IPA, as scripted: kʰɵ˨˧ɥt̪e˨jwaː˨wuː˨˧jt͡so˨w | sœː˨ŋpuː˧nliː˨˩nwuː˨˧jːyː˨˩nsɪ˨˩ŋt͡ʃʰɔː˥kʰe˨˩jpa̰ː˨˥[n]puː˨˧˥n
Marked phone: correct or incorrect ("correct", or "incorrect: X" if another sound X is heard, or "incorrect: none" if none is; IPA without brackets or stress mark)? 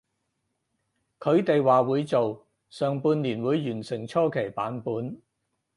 correct